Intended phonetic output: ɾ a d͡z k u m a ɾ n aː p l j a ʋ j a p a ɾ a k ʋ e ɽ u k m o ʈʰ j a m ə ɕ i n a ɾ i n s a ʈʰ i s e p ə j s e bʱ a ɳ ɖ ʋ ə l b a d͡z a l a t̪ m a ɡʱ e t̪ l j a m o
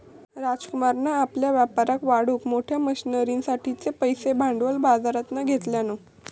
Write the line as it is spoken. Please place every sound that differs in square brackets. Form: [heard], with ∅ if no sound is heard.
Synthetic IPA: ɾ a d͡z k u m a ɾ n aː p l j a ʋ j a p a ɾ a k ʋ [a] ɽ u k m o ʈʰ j a m ə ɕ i n [ə] ɾ i n s a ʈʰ i [t͡s] e p ə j s e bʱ a ɳ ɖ ʋ ə l b a d͡z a [ɾ] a t̪ [n] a ɡʱ e t̪ l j a [n] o